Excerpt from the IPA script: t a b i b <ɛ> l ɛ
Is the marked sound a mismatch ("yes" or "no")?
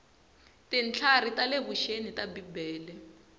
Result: yes